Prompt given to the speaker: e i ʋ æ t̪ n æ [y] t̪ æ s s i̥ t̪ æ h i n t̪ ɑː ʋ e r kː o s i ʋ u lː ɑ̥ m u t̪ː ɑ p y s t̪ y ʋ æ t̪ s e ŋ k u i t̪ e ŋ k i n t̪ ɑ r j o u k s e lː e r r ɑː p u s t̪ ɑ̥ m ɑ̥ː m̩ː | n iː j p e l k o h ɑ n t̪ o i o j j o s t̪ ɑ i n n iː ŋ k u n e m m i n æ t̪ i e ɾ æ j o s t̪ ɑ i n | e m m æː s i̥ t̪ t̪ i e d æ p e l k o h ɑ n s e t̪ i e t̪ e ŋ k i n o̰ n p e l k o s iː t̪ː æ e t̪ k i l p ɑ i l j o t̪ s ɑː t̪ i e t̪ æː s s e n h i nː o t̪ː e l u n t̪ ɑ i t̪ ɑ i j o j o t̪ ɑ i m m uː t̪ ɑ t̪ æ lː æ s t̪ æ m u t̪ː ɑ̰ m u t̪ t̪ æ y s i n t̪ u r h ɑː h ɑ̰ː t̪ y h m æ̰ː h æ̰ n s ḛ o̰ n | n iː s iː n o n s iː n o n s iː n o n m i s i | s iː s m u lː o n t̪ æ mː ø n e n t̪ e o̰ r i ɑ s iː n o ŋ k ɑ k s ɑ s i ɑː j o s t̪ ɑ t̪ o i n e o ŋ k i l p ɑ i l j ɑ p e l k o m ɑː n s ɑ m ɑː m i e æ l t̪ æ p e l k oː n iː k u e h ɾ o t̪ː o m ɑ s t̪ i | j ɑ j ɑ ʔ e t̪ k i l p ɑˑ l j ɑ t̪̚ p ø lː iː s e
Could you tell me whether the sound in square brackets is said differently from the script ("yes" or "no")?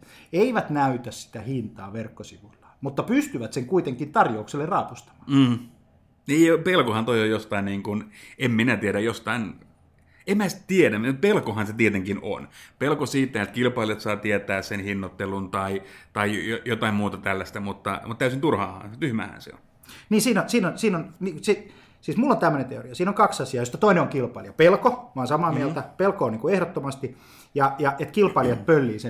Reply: no